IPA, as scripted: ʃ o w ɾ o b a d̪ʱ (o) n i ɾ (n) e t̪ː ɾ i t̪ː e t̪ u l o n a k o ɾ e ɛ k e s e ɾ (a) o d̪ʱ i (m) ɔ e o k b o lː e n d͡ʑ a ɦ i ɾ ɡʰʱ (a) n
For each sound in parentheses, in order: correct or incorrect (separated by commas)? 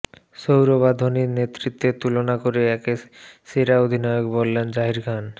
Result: correct, correct, correct, incorrect, correct